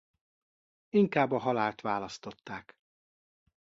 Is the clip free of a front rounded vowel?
yes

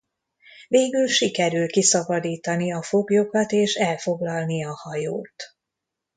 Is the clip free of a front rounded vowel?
no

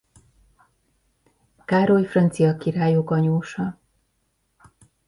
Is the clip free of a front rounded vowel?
yes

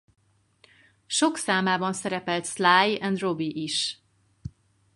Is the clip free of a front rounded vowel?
yes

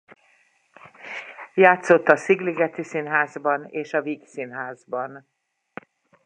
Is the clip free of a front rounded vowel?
yes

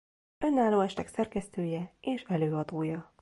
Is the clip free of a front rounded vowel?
no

